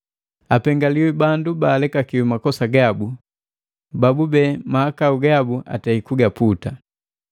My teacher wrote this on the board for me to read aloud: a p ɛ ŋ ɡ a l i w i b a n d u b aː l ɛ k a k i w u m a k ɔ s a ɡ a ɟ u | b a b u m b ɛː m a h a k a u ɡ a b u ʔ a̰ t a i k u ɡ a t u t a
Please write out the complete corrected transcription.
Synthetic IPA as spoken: a p ɛ ŋ ɡ a l i w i b a n d u b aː l ɛ k a k i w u m a k ɔ s a ɡ a b u | b a b u b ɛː m a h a k a u ɡ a b u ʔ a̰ t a i k u ɡ a p u t a